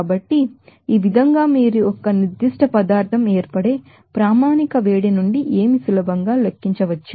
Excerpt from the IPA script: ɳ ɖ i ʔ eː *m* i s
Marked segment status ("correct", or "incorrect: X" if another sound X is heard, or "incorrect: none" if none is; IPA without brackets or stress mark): correct